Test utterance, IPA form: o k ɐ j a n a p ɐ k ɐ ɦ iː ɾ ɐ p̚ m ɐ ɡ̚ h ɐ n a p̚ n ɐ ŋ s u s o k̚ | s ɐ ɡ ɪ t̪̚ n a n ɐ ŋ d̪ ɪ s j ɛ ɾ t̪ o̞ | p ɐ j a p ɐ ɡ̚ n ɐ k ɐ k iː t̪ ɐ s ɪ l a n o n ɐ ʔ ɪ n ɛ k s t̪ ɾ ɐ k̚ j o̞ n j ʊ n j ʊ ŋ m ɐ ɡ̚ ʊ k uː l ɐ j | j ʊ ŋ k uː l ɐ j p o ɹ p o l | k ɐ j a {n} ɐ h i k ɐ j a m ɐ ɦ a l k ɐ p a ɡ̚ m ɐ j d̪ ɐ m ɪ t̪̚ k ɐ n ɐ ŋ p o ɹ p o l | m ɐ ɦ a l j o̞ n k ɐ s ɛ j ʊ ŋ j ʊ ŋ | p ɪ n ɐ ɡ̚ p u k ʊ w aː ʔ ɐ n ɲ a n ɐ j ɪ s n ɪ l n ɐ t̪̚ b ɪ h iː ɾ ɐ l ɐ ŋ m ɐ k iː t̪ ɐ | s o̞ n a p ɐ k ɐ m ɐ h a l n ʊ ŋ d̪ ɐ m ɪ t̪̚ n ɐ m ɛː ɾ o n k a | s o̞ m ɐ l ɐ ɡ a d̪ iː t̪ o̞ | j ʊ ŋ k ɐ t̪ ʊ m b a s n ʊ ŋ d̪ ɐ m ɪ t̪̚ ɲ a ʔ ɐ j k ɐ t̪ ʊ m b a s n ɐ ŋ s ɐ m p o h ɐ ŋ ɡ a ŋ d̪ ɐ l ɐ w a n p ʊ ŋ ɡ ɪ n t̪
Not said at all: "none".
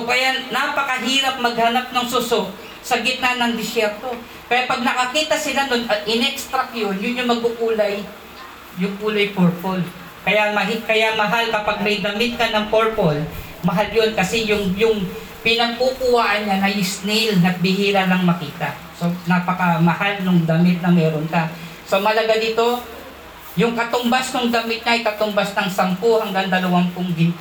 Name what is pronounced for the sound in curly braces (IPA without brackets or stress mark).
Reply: m